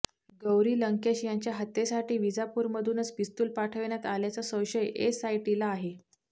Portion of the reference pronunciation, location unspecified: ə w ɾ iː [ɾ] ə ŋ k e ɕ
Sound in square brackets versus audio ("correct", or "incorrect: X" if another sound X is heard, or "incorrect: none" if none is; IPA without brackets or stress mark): incorrect: l